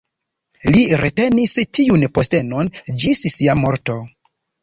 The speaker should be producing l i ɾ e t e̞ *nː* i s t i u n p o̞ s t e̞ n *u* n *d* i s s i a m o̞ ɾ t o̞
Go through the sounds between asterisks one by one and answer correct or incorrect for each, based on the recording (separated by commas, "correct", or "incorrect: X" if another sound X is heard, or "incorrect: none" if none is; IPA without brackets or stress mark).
incorrect: n, incorrect: o, incorrect: d͡ʒ